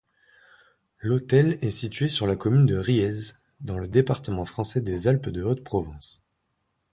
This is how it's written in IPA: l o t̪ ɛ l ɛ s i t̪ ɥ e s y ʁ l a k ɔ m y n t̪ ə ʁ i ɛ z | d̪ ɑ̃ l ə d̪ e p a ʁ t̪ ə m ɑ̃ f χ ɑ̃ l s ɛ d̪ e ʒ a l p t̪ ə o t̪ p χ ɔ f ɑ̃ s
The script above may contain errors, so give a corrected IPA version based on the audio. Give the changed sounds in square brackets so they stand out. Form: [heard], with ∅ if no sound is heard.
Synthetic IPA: l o t̪ ɛ l ɛ s i t̪ ɥ e s y ʁ l a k ɔ m y n [d̪] ə ʁ i ɛ z | d̪ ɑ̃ l ə d̪ e p a ʁ t̪ ə m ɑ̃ f χ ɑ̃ [∅] s ɛ d̪ e [z] a l p [d̪] ə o t̪ p χ ɔ [v] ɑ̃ s